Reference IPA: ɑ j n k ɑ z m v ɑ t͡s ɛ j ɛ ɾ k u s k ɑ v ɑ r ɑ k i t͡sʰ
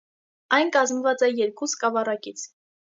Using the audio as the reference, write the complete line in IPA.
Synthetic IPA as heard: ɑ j n k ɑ z m v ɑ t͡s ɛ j ɛ ɾ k u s k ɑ v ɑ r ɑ k i t͡sʰ